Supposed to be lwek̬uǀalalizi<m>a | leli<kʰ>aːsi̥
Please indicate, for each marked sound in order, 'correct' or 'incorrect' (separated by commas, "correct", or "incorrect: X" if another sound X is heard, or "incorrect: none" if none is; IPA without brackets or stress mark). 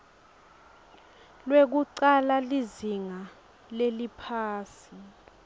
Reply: incorrect: ŋ, incorrect: pʰ